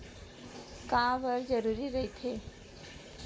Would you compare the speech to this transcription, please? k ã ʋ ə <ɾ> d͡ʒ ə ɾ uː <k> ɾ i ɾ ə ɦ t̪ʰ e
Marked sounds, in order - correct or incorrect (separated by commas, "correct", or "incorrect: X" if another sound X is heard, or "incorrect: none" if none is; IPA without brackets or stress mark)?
correct, incorrect: none